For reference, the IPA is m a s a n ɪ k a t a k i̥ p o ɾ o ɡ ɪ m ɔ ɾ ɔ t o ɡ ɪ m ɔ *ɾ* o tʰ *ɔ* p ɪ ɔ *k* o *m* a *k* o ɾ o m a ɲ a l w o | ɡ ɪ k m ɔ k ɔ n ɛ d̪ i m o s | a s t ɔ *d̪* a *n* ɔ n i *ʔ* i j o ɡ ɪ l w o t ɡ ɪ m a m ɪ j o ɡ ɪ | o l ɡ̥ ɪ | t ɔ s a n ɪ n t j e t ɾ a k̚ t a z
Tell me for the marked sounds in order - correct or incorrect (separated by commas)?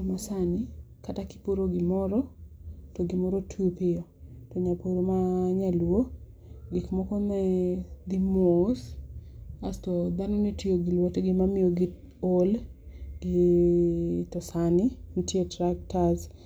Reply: correct, incorrect, incorrect, incorrect, incorrect, correct, correct, incorrect